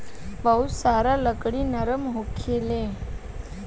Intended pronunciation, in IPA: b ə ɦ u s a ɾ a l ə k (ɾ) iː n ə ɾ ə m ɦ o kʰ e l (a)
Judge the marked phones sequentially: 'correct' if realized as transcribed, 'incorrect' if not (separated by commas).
incorrect, incorrect